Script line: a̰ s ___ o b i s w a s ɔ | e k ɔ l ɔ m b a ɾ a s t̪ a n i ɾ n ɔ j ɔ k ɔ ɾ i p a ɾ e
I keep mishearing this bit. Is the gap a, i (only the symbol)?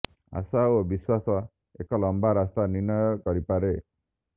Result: a